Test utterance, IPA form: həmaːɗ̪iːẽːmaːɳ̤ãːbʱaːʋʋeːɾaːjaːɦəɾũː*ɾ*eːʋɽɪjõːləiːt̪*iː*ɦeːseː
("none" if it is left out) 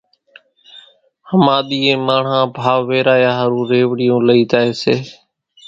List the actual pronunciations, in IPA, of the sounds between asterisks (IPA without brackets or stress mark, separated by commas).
ɾ, aː